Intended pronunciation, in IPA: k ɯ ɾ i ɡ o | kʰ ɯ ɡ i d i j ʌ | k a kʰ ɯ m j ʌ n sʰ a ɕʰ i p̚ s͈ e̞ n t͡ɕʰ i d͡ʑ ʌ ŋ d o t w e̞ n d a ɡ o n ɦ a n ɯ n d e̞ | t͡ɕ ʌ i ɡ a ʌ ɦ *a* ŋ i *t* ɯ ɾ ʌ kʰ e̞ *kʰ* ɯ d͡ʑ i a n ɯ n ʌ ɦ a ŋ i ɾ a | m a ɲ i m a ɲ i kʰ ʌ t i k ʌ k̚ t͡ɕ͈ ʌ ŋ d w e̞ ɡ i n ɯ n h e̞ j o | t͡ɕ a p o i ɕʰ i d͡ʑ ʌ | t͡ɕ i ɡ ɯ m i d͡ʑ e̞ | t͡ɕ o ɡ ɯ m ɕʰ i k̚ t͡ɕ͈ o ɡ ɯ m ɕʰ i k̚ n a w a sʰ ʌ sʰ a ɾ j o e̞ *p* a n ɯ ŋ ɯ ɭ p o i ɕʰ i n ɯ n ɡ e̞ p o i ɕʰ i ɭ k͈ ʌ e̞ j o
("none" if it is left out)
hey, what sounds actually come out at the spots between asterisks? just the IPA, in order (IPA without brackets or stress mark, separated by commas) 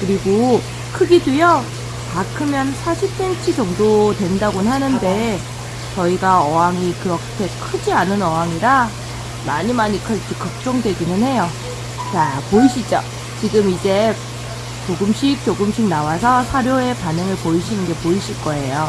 a, k, kʰ, p